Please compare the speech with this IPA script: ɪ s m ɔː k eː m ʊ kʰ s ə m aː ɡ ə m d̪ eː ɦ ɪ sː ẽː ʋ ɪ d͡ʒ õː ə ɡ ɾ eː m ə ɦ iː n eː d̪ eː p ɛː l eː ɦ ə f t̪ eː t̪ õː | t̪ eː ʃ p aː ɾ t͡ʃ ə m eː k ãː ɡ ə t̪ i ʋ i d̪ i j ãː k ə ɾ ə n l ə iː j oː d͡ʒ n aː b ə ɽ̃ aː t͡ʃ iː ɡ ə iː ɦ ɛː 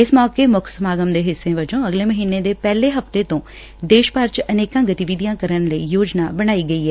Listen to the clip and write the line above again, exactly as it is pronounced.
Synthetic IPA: ɪ s m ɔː k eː m ʊ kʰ s ə m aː ɡ ə m d̪ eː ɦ ɪ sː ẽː ʋ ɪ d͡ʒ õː ə ɡ l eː m ə ɦ iː n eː d̪ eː p ɛː l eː ɦ ə f t̪ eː t̪ õː | d̪ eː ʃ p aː ɾ t͡ʃ ə n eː k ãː ɡ ə t̪ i ʋ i d̪ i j ãː k ə ɾ ə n l ə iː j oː d͡ʒ n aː b ə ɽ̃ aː iː ɡ ə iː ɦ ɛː